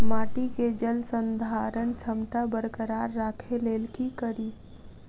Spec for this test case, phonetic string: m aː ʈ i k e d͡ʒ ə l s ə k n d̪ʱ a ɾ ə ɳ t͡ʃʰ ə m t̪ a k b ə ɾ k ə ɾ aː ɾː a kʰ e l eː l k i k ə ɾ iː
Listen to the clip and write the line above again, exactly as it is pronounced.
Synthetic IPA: m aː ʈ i k e d͡ʒ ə l s ə n d̪ʱ a ɾ ə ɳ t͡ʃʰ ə m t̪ a b ə ɾ k ə ɾ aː ɾː a kʰ e l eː l k i k ə ɾ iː

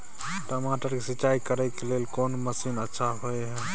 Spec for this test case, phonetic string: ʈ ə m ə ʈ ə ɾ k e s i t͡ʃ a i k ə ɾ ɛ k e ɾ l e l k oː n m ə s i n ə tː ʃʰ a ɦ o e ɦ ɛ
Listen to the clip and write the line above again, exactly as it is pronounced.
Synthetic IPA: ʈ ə m a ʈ ə ɾ k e s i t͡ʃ a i k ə ɾ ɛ k e l e l k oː n m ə s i n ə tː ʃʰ a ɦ o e ɦ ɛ

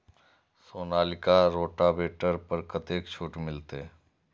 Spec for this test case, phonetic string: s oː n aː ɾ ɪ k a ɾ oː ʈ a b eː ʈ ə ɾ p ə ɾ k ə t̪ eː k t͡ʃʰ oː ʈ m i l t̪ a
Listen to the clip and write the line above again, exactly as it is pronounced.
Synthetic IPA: s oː n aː l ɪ k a ɾ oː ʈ a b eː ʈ ə ɾ p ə ɾ k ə t̪ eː k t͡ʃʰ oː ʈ m ɪ l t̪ e

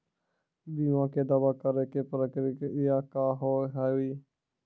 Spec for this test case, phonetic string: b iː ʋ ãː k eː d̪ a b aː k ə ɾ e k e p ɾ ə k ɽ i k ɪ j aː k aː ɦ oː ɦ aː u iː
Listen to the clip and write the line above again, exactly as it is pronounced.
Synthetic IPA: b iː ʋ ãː k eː d̪ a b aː k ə ɾ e k e p ɾ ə k ɾ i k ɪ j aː k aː ɦ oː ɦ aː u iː

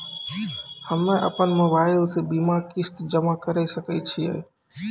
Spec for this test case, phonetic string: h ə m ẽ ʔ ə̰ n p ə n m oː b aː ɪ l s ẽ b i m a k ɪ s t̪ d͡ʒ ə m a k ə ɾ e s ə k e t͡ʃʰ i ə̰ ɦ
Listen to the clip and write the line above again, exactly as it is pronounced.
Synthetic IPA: h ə m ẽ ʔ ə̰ p ə n m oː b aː ɪ l s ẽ b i m a k ɪ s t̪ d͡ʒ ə m a k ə ɾ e s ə k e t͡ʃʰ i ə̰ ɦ

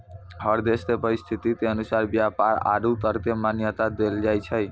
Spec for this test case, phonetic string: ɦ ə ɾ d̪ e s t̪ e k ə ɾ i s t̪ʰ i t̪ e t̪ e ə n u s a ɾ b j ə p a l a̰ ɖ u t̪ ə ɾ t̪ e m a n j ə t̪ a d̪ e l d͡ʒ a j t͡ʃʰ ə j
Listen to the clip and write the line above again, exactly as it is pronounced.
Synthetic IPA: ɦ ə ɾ d̪ e s t̪ e p ə ɾ i s t̪ʰ i t̪ i t̪ e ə n u s a ɾ b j a p a ɾ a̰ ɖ u t̪ ə ɾ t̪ e m a n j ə t̪ a d̪ e l d͡ʒ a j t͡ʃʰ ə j

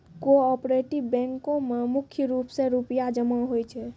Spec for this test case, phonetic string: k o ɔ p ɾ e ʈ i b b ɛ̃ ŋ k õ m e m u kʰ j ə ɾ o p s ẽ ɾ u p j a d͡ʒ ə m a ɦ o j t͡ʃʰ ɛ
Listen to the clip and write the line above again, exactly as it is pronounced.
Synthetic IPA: k o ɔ p ɾ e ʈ i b b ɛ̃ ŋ k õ m e m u kʰ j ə ɾ u p s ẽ ɾ u p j a d͡ʒ ə m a ɦ o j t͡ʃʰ ɛ

